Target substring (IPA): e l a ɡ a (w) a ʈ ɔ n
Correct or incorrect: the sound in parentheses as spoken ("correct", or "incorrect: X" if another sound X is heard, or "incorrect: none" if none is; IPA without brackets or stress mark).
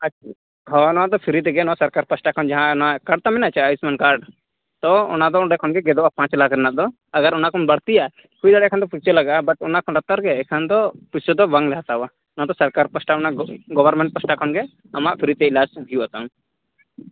incorrect: b